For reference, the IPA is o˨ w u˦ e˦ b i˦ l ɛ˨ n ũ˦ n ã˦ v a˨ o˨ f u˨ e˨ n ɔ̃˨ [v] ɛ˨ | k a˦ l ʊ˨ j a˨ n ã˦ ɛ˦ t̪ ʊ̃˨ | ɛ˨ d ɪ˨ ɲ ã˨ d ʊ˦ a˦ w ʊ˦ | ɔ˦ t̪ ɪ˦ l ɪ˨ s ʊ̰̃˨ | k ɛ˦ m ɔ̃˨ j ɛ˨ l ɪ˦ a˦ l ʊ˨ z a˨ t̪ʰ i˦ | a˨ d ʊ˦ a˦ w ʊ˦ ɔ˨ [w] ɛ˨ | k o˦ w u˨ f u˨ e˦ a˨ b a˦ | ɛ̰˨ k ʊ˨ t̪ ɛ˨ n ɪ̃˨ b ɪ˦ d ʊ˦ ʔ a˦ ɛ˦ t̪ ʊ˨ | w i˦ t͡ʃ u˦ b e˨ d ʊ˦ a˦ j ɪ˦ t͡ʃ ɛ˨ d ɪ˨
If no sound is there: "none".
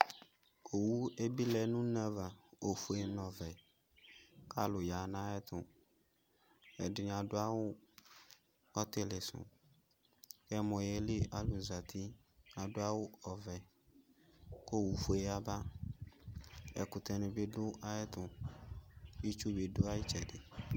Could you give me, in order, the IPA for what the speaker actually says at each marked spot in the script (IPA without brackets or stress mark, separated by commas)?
v, v